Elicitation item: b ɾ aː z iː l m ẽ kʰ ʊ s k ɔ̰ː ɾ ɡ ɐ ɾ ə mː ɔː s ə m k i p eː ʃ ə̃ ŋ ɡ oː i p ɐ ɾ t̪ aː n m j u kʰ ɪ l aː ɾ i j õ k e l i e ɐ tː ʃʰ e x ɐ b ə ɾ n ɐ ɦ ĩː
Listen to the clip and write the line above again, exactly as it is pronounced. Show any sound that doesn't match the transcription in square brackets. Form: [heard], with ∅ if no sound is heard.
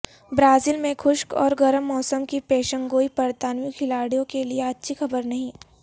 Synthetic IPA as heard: b ɾ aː z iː l m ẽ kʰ ʊ [ʃ] k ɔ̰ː ɾ ɡ ɐ ɾ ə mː ɔː s ə m k i p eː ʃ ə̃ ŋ ɡ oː i p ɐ ɾ t̪ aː n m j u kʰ ɪ l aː [ɽ] i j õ k e l i e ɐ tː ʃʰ [i] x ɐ b ə ɾ n ɐ ɦ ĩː